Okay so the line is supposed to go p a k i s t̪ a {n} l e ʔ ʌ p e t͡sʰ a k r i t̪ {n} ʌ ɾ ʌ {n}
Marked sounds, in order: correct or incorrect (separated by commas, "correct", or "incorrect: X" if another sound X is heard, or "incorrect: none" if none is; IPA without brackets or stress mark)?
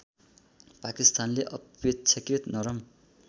correct, correct, incorrect: m